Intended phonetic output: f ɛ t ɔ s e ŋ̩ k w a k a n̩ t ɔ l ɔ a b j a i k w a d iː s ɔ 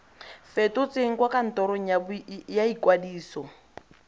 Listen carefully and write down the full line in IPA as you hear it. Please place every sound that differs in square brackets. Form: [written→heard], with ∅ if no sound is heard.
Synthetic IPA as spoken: f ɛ t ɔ [s→t͡s] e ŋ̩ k w a k a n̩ t ɔ [l→ɾ] ɔ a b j a i k w a d iː s ɔ